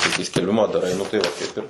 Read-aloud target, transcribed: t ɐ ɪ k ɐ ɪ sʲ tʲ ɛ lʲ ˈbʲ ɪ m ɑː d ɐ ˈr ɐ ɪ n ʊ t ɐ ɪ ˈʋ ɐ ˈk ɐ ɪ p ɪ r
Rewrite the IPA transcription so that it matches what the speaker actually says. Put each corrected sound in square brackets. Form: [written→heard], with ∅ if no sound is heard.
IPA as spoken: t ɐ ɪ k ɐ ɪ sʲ [tʲ→kʲ] ɛ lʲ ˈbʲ ɪ m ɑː d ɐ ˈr ɐ ɪ n ʊ t ɐ ɪ ˈʋ ɐ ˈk ɐ ɪ p ɪ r